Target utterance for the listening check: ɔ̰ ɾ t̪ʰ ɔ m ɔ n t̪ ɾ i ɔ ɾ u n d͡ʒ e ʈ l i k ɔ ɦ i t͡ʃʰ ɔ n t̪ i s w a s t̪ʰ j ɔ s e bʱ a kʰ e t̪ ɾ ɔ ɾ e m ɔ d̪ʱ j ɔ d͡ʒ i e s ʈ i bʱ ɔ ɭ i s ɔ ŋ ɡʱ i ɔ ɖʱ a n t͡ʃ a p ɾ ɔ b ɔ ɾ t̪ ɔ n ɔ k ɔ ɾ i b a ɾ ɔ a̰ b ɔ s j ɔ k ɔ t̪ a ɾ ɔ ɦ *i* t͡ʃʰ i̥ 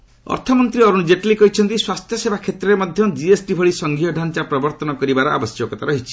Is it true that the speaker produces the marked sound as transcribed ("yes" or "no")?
yes